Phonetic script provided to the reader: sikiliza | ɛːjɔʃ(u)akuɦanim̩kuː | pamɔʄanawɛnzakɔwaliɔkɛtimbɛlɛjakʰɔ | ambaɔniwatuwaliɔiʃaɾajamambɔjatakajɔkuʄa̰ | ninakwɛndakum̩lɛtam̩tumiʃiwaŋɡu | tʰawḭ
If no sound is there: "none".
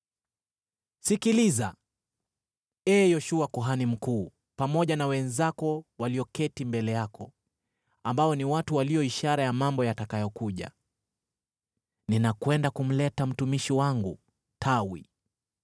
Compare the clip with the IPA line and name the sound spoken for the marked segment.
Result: u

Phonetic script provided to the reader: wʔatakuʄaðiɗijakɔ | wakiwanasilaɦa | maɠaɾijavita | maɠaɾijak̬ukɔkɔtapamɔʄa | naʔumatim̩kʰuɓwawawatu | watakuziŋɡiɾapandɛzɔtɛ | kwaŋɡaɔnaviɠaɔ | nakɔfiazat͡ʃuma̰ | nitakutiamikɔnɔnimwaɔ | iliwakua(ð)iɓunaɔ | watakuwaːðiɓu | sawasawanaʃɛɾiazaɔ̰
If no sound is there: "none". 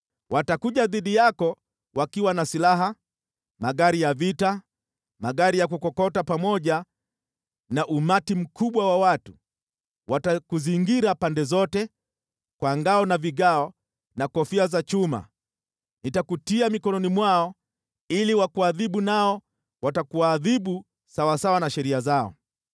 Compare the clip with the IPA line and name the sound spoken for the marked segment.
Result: ð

